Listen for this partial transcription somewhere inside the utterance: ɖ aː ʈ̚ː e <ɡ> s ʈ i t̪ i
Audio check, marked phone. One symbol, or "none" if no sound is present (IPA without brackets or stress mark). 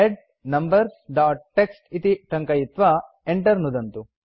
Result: k